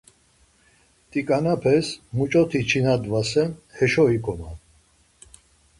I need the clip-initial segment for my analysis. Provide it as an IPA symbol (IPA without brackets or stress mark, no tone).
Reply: t̪ʼ